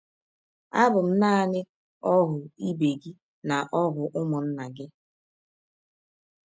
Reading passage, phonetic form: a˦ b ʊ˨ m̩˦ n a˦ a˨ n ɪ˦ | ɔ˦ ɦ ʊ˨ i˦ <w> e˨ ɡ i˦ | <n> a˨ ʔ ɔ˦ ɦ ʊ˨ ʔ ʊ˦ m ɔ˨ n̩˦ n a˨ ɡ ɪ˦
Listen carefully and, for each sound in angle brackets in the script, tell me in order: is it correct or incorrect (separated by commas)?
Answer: incorrect, correct